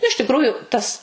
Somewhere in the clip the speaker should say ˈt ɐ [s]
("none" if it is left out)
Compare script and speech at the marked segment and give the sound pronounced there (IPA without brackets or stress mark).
s